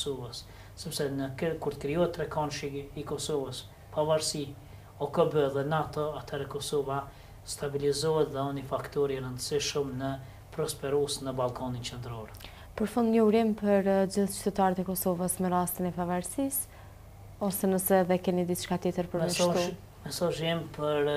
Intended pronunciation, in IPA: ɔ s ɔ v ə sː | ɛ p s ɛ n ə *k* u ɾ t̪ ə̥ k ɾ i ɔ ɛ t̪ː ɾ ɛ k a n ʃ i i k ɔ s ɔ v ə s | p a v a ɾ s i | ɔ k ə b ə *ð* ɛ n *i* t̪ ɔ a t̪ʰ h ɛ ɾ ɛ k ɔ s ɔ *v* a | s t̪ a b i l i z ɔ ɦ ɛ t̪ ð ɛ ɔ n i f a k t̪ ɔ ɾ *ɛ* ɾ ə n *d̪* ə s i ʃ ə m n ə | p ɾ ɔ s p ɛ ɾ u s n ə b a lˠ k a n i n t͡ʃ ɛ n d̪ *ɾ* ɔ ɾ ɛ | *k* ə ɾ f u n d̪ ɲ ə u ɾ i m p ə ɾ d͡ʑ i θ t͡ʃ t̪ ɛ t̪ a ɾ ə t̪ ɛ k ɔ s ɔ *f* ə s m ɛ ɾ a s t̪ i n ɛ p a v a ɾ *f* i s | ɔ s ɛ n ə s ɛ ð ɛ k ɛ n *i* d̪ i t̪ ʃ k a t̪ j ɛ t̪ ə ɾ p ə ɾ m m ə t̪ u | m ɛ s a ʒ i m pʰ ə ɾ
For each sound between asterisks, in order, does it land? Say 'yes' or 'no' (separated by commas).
yes, yes, no, yes, no, yes, yes, no, no, no, yes